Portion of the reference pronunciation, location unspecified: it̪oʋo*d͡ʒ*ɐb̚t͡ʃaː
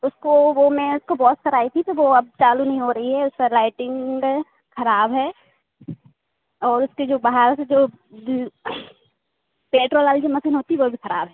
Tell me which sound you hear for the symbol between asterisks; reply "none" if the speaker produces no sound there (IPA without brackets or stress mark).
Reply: none